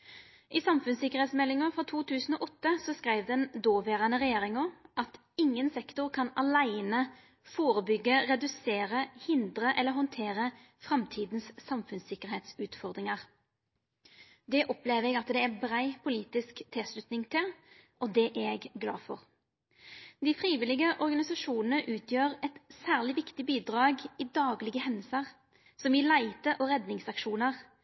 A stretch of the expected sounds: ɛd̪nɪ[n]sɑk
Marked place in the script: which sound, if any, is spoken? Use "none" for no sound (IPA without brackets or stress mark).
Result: ŋ